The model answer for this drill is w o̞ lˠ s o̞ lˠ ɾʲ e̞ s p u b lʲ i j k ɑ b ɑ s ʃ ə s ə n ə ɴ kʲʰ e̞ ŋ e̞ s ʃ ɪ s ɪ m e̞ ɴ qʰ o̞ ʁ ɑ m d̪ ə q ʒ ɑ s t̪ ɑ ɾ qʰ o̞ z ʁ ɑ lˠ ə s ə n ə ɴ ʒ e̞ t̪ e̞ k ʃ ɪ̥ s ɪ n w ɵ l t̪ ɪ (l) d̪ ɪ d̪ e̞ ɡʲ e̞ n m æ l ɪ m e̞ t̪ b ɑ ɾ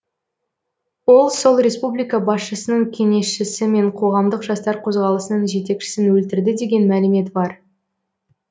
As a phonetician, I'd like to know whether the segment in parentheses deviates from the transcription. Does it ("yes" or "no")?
yes